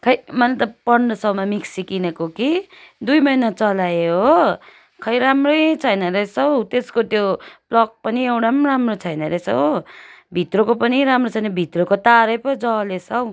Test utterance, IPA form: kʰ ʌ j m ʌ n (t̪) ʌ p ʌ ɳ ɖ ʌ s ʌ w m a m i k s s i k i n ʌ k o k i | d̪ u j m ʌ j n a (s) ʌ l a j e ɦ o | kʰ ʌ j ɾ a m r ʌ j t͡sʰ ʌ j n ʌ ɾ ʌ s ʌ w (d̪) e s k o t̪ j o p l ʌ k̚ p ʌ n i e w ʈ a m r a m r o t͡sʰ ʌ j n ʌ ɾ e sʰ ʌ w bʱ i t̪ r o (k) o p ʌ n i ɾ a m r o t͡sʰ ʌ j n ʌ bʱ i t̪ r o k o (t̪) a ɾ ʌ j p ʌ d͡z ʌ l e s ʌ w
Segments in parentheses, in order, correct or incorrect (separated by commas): correct, incorrect, incorrect, correct, correct